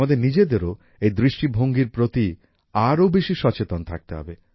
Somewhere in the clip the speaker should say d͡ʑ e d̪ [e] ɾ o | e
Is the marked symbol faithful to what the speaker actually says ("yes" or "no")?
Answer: yes